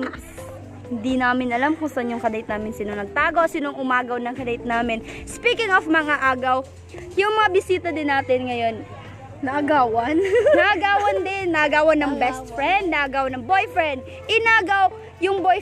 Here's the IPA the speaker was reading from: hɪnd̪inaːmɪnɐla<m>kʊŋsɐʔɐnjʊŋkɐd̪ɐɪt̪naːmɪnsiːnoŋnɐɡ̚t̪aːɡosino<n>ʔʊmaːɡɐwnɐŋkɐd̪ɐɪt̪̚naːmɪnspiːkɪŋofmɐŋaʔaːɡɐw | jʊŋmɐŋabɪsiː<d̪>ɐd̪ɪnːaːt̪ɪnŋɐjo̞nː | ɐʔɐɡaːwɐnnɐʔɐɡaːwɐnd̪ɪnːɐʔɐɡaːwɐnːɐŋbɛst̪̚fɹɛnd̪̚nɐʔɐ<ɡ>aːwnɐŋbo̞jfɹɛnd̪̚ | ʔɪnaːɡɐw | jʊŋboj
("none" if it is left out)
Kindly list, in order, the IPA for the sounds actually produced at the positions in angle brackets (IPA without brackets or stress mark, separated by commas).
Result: m, ŋ, t̪, ɡ